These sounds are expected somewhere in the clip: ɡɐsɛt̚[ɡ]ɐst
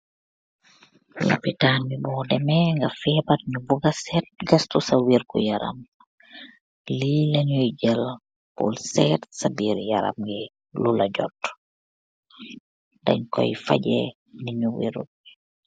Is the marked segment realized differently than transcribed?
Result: no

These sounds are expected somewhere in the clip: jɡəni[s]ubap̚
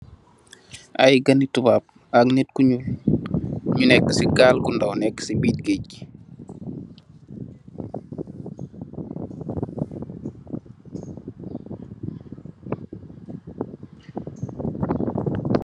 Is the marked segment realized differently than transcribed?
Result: yes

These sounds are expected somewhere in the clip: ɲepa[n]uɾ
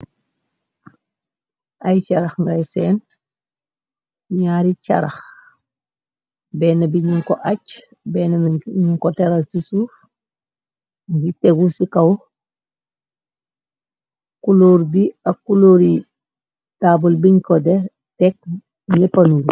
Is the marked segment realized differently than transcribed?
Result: no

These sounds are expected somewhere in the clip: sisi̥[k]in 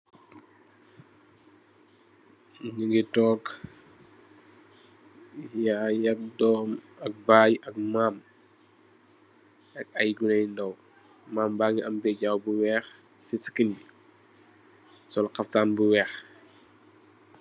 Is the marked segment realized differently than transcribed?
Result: no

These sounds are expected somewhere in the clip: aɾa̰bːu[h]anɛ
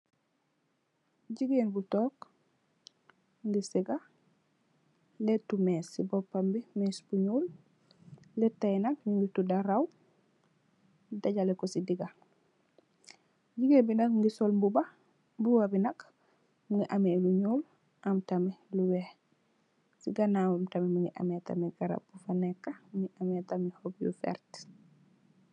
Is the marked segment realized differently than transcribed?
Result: yes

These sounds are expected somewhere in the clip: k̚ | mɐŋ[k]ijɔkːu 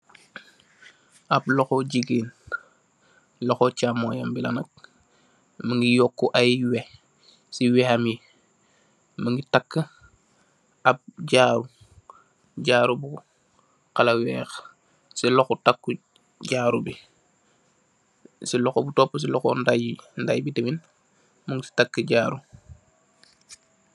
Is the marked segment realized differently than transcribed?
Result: yes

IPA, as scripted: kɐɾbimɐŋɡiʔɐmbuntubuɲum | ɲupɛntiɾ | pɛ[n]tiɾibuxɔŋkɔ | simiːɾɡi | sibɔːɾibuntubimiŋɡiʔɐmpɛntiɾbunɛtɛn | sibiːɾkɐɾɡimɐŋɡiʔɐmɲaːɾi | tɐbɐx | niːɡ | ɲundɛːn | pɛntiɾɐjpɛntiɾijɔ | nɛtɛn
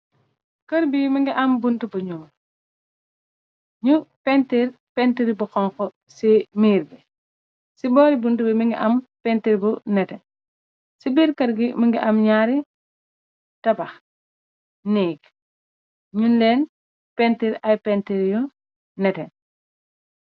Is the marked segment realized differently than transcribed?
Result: no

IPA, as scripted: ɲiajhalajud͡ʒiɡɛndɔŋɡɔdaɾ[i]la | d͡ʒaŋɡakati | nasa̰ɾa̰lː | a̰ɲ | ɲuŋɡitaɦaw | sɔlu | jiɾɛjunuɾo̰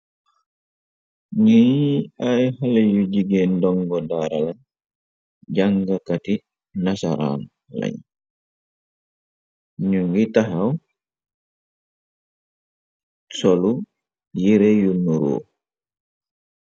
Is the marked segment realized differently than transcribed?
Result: yes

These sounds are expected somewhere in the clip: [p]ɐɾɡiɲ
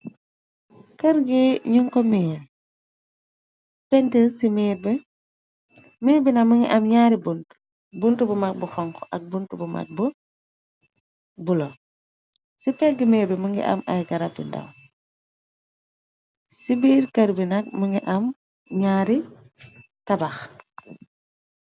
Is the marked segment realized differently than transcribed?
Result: yes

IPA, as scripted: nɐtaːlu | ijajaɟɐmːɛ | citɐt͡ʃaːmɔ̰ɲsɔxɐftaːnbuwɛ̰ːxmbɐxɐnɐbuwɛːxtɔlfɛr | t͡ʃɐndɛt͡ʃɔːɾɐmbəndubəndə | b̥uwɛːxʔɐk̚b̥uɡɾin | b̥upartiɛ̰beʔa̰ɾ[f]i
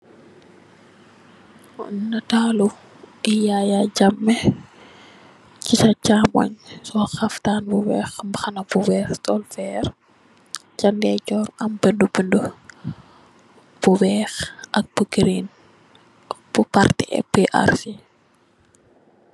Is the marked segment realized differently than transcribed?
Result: yes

